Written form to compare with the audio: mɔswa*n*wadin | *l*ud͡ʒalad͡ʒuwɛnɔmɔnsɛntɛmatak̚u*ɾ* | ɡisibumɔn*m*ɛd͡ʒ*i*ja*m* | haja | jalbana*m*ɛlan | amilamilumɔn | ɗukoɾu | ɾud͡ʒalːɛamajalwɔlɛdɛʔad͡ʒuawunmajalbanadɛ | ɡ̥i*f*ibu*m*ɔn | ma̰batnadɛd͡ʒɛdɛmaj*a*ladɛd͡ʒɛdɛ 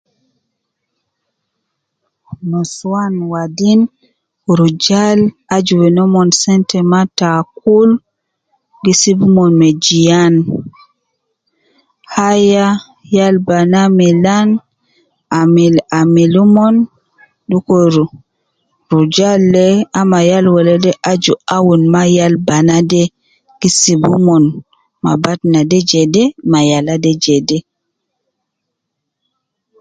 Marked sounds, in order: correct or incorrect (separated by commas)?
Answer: correct, incorrect, incorrect, correct, correct, incorrect, correct, incorrect, correct, correct